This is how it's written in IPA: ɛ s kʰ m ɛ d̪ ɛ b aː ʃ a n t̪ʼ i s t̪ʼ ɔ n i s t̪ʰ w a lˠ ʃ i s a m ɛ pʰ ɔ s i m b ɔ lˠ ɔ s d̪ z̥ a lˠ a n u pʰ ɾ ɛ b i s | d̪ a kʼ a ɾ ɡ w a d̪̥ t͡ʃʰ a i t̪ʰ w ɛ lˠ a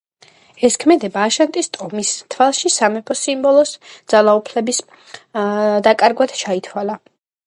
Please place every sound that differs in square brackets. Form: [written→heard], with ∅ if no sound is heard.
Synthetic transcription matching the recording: ɛ s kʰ m ɛ d̪ ɛ b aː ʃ a n t̪ʼ i s t̪ʼ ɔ [n→m] i s t̪ʰ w a lˠ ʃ i s a m ɛ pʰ ɔ s i m b ɔ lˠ ɔ s d̪ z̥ a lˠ a [n→∅] u pʰ [ɾ→l] ɛ b i s | d̪ a kʼ a ɾ ɡ w a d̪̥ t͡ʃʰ a i t̪ʰ w [ɛ→a] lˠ a